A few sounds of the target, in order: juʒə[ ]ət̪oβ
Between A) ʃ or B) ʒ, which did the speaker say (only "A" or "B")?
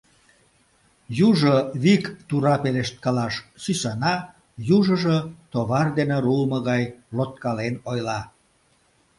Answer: B